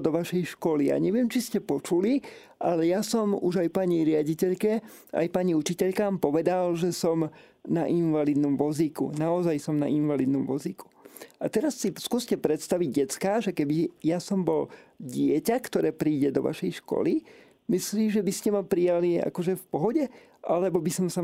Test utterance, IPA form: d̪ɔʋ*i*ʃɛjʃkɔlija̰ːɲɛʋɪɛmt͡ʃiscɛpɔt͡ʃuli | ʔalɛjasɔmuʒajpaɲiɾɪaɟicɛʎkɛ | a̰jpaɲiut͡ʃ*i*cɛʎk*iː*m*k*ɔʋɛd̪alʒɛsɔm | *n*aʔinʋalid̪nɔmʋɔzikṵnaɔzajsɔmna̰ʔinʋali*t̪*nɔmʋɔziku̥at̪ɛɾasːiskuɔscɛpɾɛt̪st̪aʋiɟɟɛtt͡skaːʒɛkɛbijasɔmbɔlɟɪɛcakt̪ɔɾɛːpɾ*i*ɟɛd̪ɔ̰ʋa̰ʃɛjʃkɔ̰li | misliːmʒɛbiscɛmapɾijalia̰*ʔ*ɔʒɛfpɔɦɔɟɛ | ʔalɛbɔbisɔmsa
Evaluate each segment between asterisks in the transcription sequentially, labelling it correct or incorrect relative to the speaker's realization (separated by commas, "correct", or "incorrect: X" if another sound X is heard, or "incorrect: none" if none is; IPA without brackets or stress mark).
incorrect: a, correct, incorrect: aː, incorrect: p, correct, incorrect: d̪, incorrect: iː, incorrect: k